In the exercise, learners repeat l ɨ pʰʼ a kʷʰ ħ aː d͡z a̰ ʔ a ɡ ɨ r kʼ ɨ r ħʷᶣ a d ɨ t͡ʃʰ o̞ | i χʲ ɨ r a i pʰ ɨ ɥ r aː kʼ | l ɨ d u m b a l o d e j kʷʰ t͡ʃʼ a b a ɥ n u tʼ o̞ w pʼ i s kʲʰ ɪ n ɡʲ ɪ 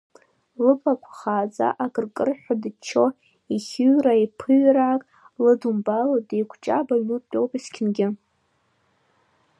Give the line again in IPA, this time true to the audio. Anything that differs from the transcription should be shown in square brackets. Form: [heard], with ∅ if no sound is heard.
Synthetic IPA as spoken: l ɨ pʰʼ a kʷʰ [χ] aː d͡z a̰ ʔ a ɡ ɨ r kʼ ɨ r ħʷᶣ a d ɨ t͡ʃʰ o̞ | i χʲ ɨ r a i pʰ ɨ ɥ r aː kʼ | l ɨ d u m b a l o d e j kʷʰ t͡ʃʼ a b a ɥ n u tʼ o̞ w pʼ i s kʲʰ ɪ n ɡʲ ɪ